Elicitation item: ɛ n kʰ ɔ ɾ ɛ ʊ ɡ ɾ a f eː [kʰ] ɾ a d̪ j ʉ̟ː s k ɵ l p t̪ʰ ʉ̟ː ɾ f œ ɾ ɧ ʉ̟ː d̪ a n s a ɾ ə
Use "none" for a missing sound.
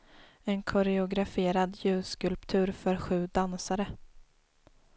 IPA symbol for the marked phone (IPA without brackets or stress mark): none